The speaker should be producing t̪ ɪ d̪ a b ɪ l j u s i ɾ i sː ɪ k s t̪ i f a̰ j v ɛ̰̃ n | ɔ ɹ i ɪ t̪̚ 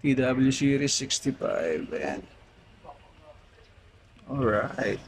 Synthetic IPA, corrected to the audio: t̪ i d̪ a b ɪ l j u s i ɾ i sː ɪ k s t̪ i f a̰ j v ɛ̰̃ n | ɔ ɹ a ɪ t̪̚